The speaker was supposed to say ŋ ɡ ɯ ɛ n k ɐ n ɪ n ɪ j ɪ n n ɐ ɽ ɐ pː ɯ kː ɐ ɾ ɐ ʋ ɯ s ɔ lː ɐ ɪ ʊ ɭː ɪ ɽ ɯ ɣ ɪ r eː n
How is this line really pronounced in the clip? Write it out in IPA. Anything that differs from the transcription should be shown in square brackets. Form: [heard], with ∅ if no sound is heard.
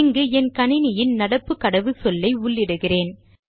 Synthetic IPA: ŋ ɡ ɯ ɛ n k ɐ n ɪ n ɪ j ɪ n n ɐ ɽ ɐ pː ɯ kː ɐ [ɽ] ɐ ʋ ɯ s ɔ lː ɐ ɪ ʊ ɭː ɪ ɽ ɯ ɣ ɪ r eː n